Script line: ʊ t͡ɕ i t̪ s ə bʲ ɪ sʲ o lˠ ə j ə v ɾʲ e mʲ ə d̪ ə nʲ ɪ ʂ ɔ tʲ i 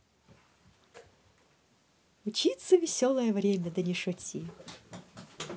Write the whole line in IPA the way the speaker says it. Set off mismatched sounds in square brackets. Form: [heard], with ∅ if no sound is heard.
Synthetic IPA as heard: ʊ t͡ɕ i t̪ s ə [vʲ] ɪ sʲ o lˠ ə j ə v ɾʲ e mʲ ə d̪ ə nʲ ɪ ʂ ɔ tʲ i